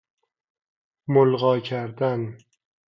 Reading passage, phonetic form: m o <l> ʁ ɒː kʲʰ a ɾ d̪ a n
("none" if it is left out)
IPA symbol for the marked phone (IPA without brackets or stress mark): l